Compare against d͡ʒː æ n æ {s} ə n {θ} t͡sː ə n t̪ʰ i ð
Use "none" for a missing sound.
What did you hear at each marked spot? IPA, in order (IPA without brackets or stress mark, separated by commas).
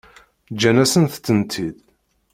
s, θ